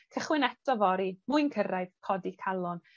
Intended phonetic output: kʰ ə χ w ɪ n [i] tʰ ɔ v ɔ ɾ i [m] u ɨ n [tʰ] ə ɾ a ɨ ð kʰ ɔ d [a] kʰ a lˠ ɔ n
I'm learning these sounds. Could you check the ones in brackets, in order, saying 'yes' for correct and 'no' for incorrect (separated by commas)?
no, yes, no, no